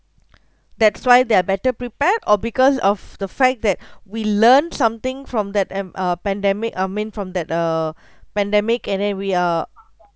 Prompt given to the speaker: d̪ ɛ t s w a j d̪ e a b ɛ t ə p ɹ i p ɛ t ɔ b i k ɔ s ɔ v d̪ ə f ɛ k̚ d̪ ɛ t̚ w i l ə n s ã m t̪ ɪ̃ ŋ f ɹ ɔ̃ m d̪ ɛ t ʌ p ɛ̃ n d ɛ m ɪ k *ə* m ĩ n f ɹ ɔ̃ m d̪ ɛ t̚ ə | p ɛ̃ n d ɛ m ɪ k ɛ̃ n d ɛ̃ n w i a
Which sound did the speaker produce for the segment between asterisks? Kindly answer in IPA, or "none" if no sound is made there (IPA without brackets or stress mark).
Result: a